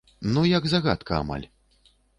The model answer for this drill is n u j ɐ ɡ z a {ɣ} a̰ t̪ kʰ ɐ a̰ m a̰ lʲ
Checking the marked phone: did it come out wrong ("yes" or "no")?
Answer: no